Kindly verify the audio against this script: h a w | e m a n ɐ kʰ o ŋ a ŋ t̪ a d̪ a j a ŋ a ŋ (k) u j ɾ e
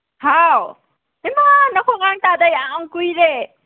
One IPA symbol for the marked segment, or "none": k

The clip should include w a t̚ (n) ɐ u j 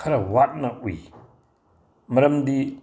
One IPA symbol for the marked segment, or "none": n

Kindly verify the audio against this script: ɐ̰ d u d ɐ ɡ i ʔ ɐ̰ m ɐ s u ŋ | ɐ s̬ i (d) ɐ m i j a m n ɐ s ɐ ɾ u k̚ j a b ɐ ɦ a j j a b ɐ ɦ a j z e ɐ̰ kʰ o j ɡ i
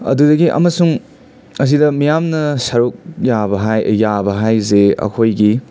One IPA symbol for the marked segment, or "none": d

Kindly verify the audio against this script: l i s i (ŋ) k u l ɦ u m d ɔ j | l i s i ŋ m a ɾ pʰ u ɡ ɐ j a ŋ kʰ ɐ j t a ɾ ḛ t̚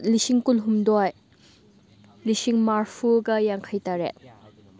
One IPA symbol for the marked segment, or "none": ŋ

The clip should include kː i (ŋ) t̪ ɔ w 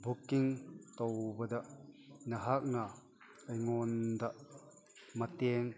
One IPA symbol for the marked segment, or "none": ŋ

